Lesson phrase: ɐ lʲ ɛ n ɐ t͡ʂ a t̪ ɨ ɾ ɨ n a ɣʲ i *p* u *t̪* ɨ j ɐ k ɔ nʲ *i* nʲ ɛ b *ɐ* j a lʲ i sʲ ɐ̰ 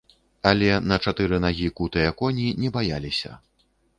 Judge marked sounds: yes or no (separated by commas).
no, yes, yes, no